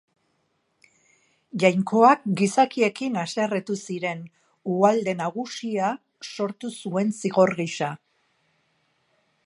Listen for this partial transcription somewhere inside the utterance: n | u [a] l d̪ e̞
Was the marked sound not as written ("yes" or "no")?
no